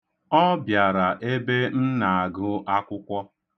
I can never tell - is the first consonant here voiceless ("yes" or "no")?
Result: no